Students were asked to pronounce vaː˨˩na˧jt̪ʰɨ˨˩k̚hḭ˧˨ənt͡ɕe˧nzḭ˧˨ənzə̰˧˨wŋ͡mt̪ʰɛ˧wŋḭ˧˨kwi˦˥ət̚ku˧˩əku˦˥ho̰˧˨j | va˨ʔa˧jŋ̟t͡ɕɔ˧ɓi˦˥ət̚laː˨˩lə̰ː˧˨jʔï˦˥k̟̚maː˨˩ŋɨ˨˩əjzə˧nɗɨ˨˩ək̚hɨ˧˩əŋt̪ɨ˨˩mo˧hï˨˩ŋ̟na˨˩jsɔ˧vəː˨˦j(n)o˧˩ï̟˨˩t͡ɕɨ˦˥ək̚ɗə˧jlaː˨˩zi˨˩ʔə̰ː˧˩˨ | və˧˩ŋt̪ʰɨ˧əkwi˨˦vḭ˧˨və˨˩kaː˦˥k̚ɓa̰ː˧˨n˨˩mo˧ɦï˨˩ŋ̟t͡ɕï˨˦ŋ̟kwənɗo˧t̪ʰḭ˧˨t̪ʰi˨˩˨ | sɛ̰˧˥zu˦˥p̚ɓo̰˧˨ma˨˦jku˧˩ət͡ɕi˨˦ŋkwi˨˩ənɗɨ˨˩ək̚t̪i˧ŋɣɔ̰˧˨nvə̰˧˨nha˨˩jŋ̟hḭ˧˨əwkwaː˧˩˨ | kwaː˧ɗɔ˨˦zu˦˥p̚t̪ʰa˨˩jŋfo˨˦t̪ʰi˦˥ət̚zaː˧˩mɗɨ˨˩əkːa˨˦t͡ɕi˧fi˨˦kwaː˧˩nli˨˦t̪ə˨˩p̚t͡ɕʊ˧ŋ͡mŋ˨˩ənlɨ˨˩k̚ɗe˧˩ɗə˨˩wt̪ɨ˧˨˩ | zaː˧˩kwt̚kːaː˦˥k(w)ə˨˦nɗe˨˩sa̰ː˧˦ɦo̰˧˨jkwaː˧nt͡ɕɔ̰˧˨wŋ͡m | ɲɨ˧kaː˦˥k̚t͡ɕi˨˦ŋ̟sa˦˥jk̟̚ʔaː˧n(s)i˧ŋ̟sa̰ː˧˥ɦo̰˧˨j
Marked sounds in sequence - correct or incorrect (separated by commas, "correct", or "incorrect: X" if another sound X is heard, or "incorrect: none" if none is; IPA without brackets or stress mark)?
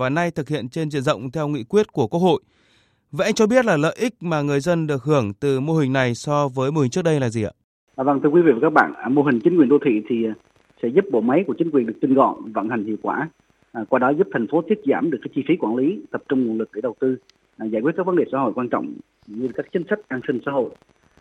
incorrect: m, incorrect: v, correct